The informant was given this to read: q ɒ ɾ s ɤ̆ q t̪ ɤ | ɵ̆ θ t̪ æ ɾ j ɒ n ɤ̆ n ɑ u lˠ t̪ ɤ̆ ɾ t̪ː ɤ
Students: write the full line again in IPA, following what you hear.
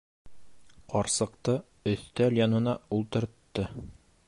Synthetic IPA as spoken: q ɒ ɾ s ɤ̆ q t̪ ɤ | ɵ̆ θ t̪ æ l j ɒ n ɤ̆ n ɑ u lˠ t̪ ɤ̆ ɾ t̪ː ɤ